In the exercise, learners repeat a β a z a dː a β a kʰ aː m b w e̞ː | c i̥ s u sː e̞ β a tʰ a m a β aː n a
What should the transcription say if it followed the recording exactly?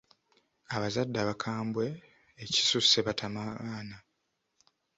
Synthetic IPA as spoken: a β a z a dː a β a kʰ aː m b w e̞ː | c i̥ s u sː e̞ β a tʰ a m a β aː n a